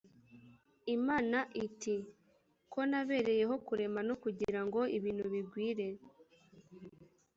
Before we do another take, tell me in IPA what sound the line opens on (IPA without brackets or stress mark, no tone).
i